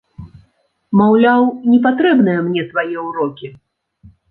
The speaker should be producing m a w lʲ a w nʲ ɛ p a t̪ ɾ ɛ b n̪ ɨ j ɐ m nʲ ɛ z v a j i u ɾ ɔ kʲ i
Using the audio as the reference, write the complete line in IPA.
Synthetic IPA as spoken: m a w lʲ a w nʲ ɛ p a t̪ ɾ ɛ b n̪ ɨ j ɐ m nʲ ɛ s v a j ɛ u ɾ ɔ kʲ i